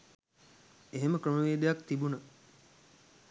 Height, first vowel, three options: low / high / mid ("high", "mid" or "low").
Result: mid